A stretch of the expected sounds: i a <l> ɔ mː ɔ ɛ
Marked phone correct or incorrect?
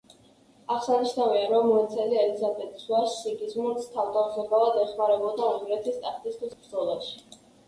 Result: incorrect